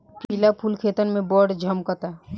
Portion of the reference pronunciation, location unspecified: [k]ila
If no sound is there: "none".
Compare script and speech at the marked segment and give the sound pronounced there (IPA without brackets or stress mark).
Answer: p